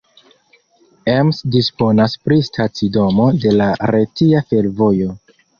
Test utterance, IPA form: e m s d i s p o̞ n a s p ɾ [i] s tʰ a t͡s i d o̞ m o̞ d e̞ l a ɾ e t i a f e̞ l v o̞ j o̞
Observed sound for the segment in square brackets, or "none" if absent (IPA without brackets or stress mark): i